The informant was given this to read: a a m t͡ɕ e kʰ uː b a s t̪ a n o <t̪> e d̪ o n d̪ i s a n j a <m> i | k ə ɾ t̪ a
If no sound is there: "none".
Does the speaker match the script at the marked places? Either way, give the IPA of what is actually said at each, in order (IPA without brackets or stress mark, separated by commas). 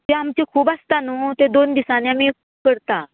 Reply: t̪, m